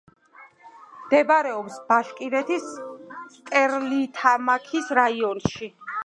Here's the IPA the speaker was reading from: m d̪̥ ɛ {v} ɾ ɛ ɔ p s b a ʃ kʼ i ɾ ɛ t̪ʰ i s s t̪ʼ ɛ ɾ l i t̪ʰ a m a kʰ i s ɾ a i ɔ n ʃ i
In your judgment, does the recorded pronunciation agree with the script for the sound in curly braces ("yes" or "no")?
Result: no